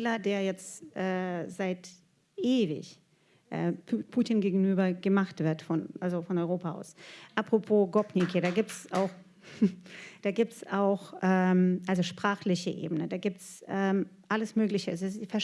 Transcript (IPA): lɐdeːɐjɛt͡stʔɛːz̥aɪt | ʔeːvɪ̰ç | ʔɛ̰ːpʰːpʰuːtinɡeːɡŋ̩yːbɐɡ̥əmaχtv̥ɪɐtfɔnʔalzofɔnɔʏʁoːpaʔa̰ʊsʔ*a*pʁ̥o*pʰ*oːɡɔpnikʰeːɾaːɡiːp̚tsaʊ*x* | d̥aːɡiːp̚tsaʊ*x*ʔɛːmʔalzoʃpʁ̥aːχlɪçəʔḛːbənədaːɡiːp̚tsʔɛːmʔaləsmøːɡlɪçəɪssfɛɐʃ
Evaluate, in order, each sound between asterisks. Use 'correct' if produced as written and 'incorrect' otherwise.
correct, correct, correct, correct

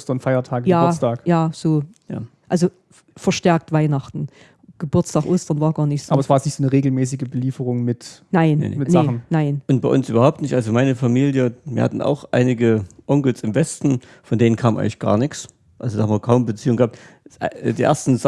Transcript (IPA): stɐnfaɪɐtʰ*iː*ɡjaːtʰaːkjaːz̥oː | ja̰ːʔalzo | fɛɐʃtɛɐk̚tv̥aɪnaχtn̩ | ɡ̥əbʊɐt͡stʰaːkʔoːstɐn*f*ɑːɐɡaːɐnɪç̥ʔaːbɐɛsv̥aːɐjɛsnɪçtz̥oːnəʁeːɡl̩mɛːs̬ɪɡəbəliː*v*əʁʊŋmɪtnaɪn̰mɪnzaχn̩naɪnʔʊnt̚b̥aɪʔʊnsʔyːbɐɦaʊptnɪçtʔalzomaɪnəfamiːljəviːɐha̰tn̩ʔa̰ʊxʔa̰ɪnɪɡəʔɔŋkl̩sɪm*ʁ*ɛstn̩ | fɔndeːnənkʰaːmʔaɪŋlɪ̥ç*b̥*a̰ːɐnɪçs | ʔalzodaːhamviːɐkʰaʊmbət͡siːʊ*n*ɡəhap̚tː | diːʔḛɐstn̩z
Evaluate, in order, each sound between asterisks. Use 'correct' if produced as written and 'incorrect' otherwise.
incorrect: aː, incorrect: v, incorrect: f, incorrect: v, incorrect: ɡ̥, incorrect: ŋ

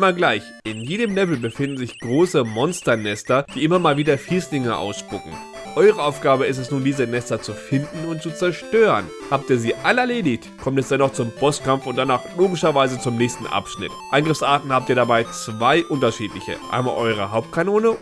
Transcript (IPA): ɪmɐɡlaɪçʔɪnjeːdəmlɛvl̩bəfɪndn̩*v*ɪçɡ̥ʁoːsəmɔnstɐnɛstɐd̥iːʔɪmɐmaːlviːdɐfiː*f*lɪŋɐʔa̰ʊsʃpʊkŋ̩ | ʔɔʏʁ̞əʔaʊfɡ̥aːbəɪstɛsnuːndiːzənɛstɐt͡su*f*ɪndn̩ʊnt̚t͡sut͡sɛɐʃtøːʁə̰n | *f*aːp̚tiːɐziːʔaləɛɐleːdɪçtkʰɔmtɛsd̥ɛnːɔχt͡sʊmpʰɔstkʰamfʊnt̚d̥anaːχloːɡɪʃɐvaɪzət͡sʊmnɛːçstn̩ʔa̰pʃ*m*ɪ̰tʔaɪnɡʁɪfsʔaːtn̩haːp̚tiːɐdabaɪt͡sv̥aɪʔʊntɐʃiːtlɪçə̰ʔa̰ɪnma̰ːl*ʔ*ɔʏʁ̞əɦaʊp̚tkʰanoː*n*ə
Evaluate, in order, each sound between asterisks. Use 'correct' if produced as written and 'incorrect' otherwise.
incorrect: z, incorrect: s, correct, incorrect: h, incorrect: n, correct, correct

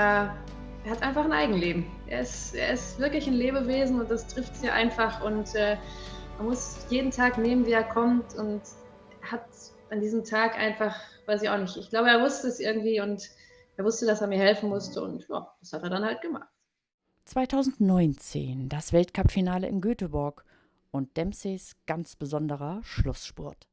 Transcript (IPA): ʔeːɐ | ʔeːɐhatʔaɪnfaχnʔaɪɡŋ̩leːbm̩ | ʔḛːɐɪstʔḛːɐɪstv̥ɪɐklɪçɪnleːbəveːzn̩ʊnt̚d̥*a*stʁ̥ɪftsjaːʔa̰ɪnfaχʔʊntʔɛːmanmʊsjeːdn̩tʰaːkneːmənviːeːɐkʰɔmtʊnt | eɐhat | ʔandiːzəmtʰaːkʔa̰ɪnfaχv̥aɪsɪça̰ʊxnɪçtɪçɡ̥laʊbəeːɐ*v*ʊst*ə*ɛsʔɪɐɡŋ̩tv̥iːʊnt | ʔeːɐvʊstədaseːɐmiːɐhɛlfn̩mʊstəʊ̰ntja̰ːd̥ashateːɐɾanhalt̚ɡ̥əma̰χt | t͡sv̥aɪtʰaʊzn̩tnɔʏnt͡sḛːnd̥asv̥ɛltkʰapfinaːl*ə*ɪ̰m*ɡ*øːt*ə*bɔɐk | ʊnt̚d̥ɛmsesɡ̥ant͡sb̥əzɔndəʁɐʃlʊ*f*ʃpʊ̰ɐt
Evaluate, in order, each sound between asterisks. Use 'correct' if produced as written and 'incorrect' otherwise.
correct, correct, correct, correct, correct, correct, incorrect: s

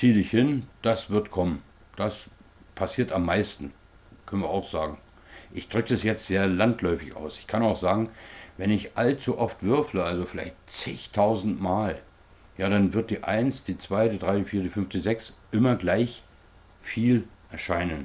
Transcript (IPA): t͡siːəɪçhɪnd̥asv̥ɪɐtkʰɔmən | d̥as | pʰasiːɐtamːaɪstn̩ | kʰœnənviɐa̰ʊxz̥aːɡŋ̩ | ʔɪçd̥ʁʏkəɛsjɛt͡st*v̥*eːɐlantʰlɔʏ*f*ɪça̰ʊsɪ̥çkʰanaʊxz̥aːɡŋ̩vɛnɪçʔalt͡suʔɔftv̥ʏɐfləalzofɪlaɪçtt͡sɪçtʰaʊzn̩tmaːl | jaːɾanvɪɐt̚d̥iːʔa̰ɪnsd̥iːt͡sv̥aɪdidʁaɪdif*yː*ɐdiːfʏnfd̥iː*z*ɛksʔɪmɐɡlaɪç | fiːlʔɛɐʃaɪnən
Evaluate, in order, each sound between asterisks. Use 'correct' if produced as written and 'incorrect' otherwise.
incorrect: z̥, correct, incorrect: iː, correct

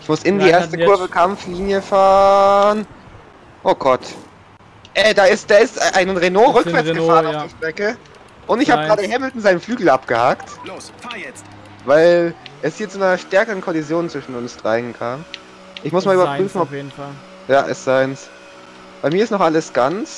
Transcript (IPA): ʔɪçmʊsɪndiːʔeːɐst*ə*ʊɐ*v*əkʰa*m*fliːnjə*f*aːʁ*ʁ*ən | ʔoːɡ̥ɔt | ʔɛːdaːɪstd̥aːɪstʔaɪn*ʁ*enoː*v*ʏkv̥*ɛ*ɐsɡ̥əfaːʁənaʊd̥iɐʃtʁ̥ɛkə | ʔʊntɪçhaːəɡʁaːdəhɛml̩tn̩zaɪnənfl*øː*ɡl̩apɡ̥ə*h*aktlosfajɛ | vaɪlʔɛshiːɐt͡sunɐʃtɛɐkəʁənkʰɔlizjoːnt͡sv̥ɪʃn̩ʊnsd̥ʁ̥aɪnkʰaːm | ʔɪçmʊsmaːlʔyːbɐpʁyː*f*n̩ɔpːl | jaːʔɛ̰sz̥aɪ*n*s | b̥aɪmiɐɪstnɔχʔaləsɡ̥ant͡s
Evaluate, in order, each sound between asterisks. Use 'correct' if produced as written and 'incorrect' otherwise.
correct, correct, correct, correct, correct, correct, incorrect: ʁ, correct, incorrect: yː, correct, correct, correct

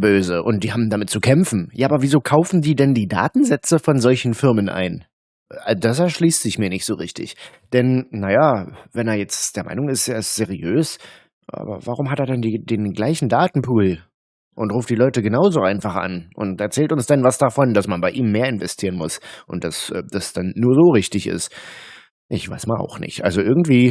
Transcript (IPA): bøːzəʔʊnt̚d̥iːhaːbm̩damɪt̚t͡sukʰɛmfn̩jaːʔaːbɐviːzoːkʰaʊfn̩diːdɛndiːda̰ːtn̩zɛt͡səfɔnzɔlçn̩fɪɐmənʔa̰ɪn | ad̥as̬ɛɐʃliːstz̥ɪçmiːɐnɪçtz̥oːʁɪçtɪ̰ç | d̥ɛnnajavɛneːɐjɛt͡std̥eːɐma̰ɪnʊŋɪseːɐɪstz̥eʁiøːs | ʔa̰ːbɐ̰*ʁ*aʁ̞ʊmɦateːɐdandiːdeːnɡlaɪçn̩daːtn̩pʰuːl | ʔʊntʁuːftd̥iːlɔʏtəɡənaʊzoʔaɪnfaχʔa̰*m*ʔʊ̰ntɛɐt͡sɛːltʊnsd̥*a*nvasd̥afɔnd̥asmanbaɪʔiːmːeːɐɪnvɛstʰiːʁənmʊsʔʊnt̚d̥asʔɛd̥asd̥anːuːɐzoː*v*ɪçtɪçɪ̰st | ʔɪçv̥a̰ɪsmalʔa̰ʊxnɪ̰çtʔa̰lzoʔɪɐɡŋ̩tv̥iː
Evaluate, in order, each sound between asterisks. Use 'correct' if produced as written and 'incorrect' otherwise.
incorrect: v, incorrect: n, correct, incorrect: ʁ

